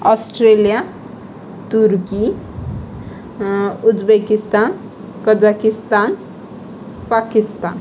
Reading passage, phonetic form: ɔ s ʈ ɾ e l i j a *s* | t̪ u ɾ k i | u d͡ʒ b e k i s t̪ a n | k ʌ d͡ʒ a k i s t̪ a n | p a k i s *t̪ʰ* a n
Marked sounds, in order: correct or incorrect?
incorrect: none, incorrect: t̪

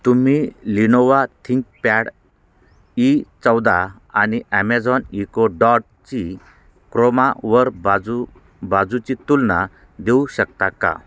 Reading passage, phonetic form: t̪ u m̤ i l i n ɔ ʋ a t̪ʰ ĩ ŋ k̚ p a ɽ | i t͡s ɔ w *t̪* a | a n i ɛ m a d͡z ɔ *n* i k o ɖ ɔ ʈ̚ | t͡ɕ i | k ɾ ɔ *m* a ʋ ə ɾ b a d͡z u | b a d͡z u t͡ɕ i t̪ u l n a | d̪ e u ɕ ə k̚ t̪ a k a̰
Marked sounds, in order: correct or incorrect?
incorrect: d̪, correct, correct

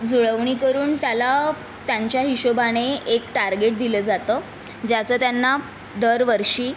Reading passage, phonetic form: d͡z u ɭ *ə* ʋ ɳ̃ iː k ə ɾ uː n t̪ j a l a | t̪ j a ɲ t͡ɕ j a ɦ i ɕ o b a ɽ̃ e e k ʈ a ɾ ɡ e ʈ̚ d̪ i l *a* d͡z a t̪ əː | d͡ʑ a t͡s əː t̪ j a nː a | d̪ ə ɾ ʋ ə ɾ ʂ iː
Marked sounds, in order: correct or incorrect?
correct, incorrect: ə

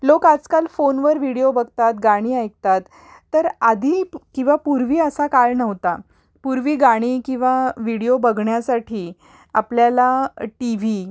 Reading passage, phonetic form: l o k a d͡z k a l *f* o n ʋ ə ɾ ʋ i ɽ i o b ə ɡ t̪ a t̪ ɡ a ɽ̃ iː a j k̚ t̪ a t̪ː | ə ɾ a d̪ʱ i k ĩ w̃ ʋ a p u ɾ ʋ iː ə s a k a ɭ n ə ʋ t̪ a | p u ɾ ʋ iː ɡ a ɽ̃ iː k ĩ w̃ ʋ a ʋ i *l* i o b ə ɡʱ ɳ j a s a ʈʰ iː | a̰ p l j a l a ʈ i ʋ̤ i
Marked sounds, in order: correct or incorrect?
correct, incorrect: ɽ

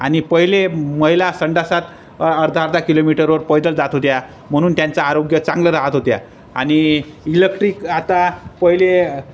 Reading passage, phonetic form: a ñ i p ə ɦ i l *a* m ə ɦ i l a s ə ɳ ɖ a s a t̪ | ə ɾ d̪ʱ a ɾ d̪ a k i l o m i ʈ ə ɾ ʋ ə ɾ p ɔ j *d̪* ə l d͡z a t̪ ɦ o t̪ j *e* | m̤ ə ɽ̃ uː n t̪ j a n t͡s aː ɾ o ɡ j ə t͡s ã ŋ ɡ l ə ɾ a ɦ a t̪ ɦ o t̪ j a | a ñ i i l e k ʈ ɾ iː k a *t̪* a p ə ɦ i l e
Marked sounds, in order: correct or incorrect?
incorrect: e, correct, incorrect: a, correct

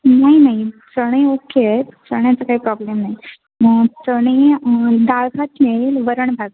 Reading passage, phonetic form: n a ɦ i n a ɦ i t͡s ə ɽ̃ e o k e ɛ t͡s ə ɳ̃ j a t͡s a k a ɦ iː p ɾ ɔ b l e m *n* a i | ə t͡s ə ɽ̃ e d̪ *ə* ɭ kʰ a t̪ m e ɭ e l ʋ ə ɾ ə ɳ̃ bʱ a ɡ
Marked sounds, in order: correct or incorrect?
correct, incorrect: a

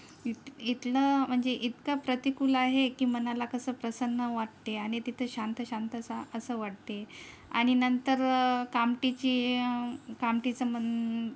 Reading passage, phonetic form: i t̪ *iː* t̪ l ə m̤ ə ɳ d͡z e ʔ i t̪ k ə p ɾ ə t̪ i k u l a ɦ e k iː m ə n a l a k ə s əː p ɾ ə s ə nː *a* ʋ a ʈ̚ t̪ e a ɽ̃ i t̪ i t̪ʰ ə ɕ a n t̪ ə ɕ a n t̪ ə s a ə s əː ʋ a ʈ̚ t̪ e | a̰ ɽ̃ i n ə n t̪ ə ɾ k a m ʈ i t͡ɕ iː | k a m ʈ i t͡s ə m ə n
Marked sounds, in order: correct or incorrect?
incorrect: i, incorrect: ə

